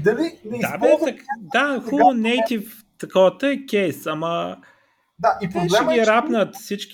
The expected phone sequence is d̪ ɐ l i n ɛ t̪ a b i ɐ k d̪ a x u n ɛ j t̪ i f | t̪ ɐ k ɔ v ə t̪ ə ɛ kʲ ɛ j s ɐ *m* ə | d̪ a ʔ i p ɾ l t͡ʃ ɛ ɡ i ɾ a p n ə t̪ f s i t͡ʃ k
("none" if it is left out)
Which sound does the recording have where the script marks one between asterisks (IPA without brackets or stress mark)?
m